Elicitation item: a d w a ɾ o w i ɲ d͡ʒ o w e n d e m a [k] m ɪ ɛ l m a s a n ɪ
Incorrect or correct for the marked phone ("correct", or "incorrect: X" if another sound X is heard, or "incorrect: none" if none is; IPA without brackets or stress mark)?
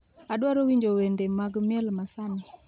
incorrect: ɡ